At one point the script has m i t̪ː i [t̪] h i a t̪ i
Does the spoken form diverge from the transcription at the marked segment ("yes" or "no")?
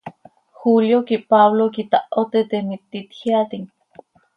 no